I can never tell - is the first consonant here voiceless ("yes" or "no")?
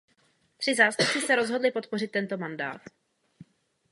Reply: yes